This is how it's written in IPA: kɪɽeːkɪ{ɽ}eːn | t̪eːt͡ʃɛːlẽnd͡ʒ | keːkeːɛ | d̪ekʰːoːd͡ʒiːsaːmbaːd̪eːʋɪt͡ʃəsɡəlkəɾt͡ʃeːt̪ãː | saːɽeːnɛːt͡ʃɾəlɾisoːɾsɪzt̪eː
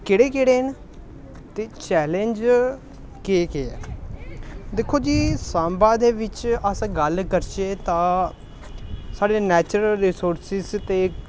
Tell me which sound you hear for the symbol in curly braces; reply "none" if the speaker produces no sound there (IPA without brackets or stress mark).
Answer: ɽ